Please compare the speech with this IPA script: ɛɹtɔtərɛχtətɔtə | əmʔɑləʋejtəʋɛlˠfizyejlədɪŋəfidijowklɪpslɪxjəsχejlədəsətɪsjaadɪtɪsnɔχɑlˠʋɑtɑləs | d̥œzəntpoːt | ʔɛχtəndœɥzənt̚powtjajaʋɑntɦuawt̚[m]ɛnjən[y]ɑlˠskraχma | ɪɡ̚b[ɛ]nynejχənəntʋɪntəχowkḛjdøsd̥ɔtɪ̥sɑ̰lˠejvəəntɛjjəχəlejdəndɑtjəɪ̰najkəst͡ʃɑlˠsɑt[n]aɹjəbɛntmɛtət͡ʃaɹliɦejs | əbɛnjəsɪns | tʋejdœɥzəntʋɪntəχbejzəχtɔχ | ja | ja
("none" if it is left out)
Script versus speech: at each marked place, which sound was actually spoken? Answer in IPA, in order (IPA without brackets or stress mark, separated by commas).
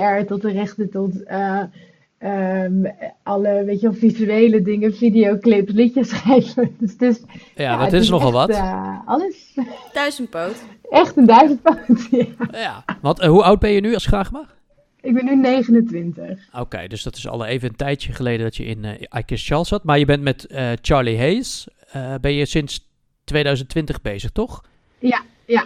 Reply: b, y, ɛ, m